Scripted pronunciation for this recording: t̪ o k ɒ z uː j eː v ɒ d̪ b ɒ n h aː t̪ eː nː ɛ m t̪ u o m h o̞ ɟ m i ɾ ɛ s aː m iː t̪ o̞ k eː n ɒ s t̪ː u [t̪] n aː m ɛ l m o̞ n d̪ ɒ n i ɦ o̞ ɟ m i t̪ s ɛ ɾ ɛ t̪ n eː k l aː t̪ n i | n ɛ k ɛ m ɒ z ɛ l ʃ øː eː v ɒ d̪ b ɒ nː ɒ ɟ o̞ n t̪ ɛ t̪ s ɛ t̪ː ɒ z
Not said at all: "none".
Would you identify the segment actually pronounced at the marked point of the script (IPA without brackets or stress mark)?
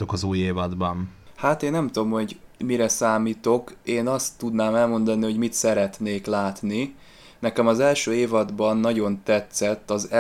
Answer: d̪